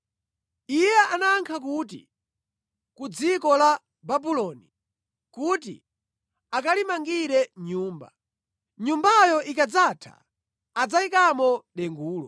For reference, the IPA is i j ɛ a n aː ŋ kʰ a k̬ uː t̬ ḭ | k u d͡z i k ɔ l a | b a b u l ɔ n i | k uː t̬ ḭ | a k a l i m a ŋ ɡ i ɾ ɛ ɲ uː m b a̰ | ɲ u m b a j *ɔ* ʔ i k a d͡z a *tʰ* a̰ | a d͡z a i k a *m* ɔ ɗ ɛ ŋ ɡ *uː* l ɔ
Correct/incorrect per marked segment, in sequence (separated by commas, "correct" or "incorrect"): correct, correct, correct, correct